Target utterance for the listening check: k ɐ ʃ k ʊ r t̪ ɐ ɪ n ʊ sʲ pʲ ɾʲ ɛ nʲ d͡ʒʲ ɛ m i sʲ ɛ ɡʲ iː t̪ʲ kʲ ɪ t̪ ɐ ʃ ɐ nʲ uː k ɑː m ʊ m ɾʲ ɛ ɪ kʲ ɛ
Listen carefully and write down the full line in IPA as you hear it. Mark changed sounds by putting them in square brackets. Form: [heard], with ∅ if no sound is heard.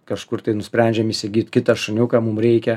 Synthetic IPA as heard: k ɐ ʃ k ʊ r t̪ ɐ ɪ n ʊ sʲ pʲ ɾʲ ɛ nʲ d͡ʒʲ ɛ m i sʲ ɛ ɡʲ iː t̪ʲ kʲ ɪ t̪ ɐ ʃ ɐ nʲ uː k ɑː m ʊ m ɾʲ ɛ ɪ kʲ ɛ